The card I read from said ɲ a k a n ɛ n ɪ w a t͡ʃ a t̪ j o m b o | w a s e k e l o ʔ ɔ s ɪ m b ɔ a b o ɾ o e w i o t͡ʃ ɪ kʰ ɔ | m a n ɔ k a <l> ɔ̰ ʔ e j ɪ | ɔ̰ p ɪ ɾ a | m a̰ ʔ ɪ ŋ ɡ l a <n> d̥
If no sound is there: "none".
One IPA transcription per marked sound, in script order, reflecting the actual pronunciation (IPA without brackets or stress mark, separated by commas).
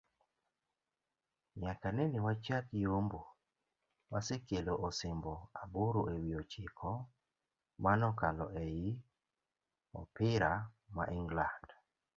l, n